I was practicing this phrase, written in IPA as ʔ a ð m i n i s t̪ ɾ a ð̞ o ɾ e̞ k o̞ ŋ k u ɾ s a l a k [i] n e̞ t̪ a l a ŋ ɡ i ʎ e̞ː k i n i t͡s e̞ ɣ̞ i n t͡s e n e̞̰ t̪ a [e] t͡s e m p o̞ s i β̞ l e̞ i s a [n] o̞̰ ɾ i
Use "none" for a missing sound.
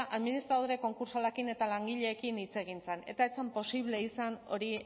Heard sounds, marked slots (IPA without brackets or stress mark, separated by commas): i, e, n